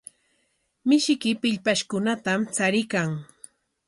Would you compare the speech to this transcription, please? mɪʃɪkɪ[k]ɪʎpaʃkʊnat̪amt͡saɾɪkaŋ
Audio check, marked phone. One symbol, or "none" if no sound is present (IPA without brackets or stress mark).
p